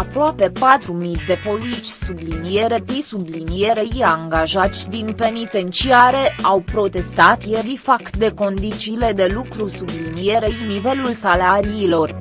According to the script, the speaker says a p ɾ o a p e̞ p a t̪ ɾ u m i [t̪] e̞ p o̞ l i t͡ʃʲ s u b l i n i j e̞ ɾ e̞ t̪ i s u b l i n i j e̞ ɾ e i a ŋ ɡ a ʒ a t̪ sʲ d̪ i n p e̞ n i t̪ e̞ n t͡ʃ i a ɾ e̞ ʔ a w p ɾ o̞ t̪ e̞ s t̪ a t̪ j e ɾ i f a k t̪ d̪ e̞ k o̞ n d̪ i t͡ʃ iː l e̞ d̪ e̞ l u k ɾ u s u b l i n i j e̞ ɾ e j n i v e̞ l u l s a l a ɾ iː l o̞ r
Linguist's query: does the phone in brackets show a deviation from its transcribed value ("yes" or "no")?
yes